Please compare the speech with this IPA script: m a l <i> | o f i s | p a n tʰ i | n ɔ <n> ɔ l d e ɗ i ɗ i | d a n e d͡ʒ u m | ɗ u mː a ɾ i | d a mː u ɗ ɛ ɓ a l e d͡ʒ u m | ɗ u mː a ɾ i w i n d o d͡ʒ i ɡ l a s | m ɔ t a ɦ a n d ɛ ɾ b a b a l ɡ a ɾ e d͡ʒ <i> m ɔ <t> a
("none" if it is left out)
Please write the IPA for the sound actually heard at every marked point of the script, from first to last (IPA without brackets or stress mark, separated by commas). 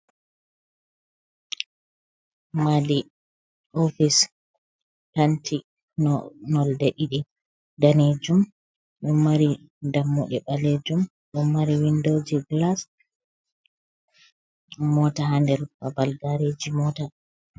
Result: i, n, i, t